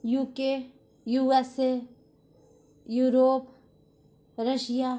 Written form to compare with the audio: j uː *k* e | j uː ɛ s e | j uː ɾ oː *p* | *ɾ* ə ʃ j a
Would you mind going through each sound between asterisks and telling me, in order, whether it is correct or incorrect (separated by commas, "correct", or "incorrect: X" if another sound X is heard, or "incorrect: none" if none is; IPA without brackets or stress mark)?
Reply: correct, correct, correct